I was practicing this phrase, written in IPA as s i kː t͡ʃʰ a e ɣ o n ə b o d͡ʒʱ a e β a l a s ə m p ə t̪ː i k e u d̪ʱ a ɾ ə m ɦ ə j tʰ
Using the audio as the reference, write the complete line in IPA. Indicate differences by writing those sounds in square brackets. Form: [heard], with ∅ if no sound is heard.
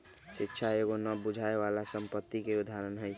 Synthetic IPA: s i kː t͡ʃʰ a e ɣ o n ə b [u] d͡ʒʱ a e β a l a s ə m p ə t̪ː i k e u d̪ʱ a ɾ ə [n] ɦ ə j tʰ

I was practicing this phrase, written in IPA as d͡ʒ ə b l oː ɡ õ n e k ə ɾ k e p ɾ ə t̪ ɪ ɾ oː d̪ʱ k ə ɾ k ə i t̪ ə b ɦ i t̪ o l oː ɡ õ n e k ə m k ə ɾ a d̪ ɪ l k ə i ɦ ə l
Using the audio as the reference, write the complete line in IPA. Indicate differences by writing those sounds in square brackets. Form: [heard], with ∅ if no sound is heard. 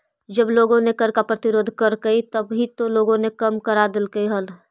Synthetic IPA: d͡ʒ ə b l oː ɡ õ n e k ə ɾ k [a] p ɾ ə t̪ ɪ ɾ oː d̪ʱ k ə ɾ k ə i t̪ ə b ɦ i t̪ o l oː ɡ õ n e k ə m k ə ɾ a d̪ ɪ l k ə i ɦ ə l

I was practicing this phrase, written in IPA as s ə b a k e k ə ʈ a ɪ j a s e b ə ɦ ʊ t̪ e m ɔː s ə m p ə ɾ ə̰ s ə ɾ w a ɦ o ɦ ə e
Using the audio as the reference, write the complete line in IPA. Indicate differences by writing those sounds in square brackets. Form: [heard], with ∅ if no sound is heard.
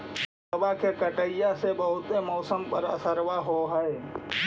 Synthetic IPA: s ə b a k e k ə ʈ [ə] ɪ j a s e b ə ɦ ʊ t̪ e m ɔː s ə m p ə ɾ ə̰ s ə ɾ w a ɦ o ɦ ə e

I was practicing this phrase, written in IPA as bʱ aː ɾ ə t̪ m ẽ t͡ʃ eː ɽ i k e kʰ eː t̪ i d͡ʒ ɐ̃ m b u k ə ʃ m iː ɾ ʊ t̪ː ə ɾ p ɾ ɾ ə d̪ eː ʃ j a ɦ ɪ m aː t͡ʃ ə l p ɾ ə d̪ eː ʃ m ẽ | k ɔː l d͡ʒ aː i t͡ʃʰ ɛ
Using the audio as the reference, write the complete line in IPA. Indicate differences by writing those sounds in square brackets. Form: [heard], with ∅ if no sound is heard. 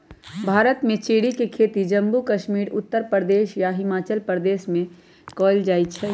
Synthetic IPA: bʱ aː ɾ ə t̪ m ẽ t͡ʃ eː ɽ i k e kʰ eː t̪ i d͡ʒ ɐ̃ m b u k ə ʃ m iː ɾ ʊ t̪ː ə ɾ p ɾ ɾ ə d̪ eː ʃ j a ɦ ɪ m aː t͡ʃ ə l p ɾ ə d̪ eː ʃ m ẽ | k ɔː l d͡ʒ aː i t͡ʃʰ ɛ

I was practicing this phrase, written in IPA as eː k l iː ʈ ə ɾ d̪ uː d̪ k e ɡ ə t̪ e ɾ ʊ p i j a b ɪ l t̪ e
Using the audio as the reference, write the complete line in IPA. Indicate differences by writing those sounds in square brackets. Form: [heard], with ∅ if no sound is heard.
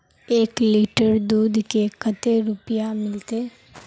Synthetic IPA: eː k l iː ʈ ə ɾ d̪ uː d̪ k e [k] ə t̪ e ɾ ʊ p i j a [m] ɪ l t̪ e

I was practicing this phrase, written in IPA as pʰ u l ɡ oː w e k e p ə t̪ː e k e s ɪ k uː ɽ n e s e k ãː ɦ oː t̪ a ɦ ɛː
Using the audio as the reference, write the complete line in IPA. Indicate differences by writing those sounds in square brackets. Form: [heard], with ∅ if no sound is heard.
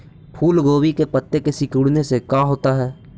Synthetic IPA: pʰ [uː] l ɡ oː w [i] k e p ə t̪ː e k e s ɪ k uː ɽ n e s e k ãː ɦ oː t̪ a ɦ ɛː

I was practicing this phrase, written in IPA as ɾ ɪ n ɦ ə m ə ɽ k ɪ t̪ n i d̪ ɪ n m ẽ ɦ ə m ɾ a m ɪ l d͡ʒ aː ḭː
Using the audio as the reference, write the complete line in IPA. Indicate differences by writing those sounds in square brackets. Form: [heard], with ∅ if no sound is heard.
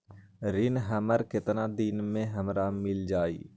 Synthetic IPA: ɾ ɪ n ɦ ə m ə [ɾ] k ɪ t̪ n [a] d̪ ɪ n m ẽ ɦ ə m ɾ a m ɪ l d͡ʒ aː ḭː

